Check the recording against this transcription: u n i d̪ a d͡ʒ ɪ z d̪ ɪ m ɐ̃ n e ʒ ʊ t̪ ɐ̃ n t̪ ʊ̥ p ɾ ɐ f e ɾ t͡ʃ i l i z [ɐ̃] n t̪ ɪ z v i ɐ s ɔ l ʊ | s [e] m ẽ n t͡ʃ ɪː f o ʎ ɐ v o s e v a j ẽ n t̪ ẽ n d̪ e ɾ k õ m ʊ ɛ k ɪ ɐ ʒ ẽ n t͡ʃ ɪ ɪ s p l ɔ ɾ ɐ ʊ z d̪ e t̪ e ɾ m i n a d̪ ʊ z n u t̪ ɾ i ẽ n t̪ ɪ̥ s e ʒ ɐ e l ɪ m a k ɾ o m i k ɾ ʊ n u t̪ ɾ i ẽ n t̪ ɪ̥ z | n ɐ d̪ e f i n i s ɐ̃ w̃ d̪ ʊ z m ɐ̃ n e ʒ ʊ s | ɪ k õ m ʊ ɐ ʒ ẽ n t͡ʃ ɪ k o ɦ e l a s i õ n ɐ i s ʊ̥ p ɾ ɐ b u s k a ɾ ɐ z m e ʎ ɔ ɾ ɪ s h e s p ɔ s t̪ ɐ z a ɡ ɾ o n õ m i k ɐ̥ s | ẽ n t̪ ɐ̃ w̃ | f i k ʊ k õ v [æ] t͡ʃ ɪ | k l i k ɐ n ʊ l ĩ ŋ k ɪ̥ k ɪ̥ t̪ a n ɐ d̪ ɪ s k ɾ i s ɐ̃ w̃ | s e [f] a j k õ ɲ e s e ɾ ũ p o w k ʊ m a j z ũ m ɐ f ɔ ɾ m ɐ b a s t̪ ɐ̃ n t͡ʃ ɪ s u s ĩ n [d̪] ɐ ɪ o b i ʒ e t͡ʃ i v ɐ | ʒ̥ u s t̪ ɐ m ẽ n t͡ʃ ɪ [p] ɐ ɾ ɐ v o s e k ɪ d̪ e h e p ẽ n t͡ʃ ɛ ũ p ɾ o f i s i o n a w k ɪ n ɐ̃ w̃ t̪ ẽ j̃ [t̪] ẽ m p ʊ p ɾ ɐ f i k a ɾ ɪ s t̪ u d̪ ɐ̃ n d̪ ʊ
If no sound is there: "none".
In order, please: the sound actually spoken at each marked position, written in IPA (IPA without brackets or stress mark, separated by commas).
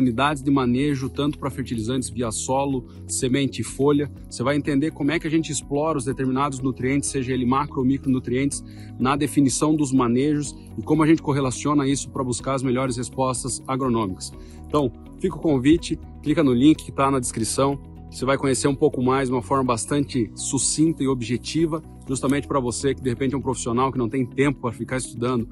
ɐ̃, e, i, v, t̪, p, t̪